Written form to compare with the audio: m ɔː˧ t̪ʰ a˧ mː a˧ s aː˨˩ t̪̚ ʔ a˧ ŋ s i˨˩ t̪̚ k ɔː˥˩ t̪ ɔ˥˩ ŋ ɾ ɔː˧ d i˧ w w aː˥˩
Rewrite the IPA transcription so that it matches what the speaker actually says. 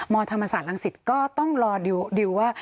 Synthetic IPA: m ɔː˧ t̪ʰ a˧ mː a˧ s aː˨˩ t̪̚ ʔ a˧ ŋ s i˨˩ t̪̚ k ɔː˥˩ t̪ ɔ˥˩ ŋ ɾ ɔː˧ d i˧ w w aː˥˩